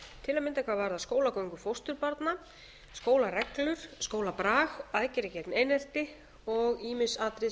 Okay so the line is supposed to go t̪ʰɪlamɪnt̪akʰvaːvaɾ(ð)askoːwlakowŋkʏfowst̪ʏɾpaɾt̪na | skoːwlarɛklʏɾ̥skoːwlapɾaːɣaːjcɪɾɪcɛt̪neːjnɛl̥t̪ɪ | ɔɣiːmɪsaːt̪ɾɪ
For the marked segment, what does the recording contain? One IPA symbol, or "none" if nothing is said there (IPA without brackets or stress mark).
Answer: ð